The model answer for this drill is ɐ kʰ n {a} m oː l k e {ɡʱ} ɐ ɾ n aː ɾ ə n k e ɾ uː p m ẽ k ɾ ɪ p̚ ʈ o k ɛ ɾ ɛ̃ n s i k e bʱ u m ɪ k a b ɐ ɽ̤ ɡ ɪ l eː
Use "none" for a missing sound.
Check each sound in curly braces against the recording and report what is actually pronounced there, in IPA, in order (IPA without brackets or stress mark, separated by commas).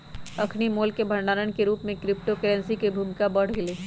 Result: i, bʱ